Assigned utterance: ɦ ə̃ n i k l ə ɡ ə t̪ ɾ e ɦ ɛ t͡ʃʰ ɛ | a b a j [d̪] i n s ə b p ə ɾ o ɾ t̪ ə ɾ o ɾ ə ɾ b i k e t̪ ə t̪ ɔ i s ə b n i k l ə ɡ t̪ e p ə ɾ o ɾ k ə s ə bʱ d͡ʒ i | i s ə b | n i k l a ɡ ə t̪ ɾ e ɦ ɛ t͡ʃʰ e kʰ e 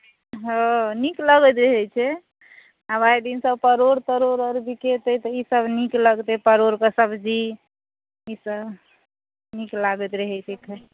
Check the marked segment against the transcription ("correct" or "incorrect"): correct